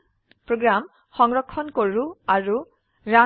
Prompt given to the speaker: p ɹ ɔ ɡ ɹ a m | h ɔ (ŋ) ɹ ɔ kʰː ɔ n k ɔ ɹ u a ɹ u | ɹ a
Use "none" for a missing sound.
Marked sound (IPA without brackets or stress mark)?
ŋ